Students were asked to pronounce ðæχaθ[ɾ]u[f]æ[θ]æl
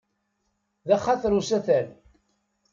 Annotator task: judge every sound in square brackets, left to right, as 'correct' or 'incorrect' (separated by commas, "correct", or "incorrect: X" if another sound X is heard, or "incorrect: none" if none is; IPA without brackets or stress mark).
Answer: correct, incorrect: s, correct